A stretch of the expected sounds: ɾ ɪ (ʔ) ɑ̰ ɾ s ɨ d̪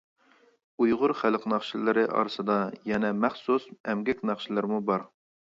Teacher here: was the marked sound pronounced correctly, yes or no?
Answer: yes